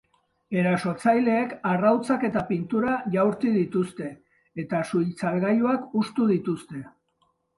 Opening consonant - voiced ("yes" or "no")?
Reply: yes